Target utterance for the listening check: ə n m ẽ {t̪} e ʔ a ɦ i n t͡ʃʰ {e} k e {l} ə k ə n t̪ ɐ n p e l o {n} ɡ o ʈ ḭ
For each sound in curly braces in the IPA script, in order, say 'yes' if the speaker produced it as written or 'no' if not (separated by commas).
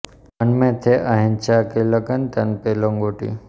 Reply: no, no, yes, no